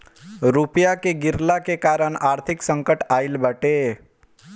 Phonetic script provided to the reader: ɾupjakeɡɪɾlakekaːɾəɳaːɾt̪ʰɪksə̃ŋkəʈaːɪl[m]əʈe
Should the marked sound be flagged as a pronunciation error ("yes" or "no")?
yes